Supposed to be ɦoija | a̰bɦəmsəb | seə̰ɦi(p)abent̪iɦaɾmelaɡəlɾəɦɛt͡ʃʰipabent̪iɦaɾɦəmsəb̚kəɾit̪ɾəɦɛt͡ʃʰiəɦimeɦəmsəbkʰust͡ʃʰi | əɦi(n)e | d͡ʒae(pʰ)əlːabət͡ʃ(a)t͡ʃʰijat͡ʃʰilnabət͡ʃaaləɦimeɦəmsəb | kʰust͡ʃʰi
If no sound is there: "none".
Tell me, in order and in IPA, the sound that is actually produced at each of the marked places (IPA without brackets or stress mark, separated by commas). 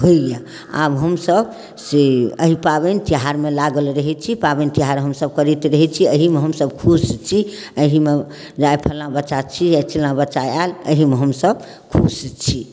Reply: p, m, pʰ, a